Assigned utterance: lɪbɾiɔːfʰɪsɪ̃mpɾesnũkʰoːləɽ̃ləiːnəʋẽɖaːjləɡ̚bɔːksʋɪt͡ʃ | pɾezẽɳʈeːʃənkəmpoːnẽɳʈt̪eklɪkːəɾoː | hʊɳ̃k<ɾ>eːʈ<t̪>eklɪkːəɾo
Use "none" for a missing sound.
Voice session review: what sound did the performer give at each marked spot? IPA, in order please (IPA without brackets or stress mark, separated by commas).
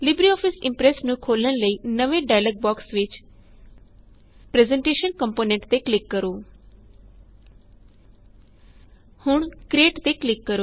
ɾ, t̪